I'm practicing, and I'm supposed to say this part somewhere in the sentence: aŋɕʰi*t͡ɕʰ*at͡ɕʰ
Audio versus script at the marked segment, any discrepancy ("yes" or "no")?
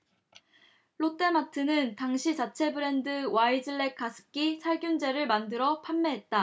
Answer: yes